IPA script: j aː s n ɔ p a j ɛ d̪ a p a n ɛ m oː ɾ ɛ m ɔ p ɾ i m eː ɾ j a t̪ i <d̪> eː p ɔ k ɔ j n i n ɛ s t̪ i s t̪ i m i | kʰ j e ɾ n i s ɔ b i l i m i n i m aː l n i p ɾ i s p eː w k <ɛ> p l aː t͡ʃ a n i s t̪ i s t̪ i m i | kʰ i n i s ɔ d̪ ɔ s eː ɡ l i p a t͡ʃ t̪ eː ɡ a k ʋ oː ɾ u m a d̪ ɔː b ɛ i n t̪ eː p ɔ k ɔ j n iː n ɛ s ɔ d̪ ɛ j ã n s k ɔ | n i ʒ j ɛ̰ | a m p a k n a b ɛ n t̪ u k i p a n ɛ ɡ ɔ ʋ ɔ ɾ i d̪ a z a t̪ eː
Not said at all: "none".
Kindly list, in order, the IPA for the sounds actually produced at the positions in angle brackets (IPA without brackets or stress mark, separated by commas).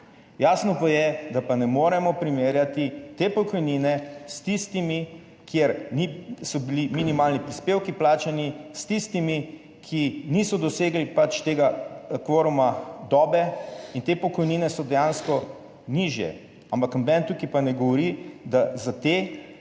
t̪, i